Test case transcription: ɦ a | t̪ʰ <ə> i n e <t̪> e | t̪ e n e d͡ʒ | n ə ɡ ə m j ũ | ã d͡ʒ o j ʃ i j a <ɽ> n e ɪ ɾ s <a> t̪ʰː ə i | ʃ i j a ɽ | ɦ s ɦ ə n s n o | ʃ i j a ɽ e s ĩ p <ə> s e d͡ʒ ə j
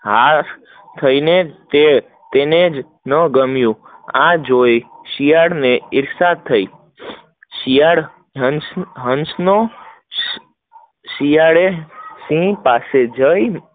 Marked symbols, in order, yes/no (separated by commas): yes, yes, yes, yes, no